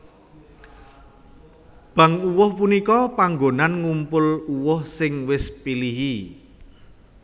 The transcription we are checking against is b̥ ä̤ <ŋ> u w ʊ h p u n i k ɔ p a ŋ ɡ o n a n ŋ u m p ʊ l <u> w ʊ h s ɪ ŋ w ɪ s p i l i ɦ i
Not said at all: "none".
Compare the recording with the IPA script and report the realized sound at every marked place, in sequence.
ŋ, u

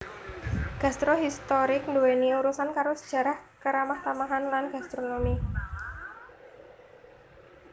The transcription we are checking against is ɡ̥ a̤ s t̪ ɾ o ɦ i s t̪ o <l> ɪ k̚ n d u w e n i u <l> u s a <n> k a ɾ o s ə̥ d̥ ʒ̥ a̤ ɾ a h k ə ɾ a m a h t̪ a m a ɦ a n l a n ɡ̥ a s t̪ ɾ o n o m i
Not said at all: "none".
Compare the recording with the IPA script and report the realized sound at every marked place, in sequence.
ɾ, ɾ, n

